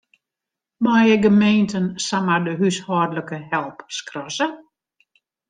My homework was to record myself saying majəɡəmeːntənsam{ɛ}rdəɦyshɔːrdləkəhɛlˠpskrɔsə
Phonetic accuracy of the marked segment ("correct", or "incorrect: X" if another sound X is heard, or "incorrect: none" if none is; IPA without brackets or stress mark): incorrect: a